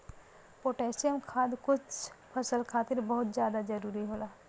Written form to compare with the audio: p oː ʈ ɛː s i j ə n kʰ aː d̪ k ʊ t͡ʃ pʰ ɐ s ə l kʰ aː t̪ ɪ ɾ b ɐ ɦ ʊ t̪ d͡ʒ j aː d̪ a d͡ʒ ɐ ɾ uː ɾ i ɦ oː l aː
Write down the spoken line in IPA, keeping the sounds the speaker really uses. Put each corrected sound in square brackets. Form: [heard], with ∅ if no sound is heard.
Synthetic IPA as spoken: p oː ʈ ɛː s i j ə [m] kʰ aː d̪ k ʊ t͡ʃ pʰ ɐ s ə l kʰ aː t̪ ɪ ɾ b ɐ ɦ ʊ t̪ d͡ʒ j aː d̪ a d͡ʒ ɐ ɾ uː ɾ i ɦ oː l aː